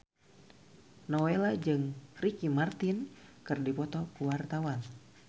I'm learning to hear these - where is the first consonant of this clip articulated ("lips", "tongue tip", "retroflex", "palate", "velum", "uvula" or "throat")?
tongue tip